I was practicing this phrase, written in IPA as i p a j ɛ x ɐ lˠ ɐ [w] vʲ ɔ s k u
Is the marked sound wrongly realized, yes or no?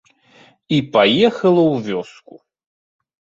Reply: no